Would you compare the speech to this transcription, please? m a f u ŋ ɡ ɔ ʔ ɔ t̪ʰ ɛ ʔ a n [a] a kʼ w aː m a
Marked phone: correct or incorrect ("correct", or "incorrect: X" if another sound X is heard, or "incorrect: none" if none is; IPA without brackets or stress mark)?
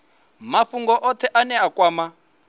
incorrect: ɛ